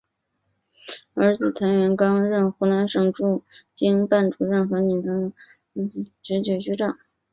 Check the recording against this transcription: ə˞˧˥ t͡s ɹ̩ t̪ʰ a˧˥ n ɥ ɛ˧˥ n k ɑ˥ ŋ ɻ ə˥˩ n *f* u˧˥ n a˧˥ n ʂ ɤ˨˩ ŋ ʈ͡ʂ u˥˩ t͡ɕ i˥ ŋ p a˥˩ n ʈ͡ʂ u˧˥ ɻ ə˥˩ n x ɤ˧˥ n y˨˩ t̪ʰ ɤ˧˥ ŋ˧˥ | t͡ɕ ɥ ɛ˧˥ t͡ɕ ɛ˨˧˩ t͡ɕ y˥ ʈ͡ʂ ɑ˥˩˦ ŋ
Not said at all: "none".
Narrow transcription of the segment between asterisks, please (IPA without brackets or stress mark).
x